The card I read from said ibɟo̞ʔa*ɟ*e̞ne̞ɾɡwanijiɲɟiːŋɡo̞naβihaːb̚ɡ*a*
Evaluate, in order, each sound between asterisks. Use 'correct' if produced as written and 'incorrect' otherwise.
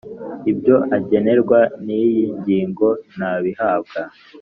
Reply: correct, correct

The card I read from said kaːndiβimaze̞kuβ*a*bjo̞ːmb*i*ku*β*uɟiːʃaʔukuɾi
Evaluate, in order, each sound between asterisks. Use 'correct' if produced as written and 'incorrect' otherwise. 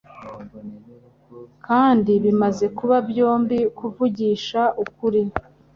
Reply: correct, correct, incorrect

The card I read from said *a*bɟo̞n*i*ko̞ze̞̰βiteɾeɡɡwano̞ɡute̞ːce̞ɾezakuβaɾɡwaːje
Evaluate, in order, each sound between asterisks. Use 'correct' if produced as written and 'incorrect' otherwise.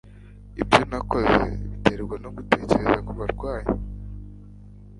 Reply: incorrect, incorrect

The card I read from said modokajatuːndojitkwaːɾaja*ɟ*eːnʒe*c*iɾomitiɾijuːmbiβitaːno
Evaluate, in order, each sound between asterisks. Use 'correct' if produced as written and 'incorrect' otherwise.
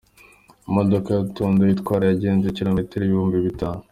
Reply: correct, correct

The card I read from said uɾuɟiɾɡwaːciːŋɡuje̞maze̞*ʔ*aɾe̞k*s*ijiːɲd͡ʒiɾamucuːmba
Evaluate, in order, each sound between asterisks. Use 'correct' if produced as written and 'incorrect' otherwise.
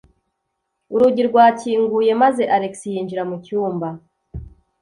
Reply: correct, correct

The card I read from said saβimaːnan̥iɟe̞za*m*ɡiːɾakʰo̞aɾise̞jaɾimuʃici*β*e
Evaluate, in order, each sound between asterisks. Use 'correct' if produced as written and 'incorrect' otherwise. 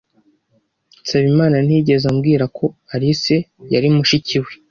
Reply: correct, incorrect

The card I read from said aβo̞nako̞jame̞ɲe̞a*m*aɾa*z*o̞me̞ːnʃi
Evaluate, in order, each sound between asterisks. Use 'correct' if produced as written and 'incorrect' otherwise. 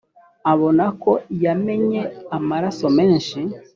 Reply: correct, incorrect

